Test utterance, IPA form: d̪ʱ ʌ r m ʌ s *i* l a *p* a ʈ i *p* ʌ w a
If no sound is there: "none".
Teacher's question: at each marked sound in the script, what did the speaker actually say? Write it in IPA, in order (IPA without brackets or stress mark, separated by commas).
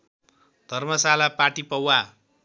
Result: a, p, p